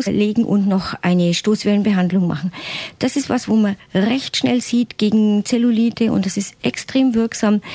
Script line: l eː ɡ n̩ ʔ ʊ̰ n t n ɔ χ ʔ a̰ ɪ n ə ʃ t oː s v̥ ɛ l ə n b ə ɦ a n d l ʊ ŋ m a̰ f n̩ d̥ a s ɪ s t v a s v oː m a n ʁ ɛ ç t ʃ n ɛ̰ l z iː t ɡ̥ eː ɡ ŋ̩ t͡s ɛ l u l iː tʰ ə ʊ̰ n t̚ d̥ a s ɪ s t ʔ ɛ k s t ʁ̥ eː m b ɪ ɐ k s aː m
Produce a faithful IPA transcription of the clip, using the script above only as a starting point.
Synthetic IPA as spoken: l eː ɡ ŋ̩ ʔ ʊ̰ n t n ɔ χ ʔ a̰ ɪ n ə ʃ t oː s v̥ ɛ l ə n b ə ɦ a n d l ʊ ŋ m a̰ χ n̩ d̥ a s ɪ s t v a s v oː m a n ʁ ɛ ç t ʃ n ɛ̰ l z iː t ɡ̥ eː ɡ ŋ̩ t͡s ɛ l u l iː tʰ ə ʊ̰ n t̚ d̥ a s ɪ s t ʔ ɛ k s t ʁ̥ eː m v ɪ ɐ k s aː m